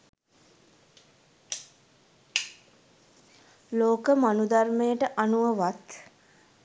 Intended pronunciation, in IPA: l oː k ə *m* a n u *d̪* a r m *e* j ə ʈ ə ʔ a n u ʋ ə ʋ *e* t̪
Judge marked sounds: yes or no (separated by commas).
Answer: yes, yes, yes, no